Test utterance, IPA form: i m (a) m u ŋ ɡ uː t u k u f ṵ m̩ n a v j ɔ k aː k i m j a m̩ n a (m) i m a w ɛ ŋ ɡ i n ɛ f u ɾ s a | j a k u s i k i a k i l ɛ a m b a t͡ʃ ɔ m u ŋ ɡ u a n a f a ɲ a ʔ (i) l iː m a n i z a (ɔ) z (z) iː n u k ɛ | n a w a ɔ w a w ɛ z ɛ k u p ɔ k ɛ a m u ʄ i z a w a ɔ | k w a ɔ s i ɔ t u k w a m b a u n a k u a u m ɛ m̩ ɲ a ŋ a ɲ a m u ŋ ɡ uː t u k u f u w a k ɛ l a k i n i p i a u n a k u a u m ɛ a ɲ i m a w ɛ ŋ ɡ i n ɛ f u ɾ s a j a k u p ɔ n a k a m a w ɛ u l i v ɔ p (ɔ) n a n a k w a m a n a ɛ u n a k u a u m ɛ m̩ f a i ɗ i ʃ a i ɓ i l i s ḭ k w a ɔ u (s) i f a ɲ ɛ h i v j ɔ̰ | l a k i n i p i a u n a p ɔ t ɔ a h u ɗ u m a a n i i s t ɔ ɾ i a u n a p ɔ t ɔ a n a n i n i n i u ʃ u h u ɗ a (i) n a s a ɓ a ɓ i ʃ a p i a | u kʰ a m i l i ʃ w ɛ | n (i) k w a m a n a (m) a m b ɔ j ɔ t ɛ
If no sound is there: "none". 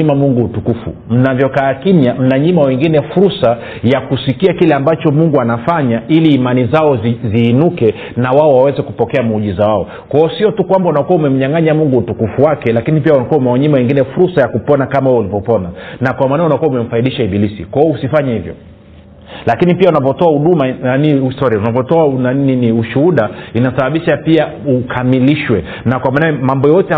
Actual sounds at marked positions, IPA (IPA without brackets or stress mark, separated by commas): a, ɲ, i, ɔ, z, ɔ, s, i, a, m